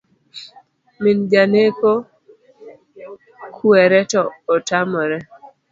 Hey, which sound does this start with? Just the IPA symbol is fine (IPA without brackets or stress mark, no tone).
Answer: m